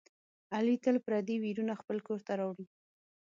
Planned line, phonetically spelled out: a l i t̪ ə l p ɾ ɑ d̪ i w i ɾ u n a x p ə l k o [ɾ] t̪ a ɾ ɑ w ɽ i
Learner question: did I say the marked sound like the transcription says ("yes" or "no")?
yes